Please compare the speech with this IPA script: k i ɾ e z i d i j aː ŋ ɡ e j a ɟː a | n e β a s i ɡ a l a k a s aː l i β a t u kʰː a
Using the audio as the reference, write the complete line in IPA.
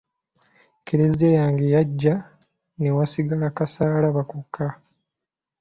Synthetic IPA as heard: k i ɾ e z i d e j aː ŋ ɡ e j a ɟː a | n e w a s i ɡ a l a k a s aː l a β a k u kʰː a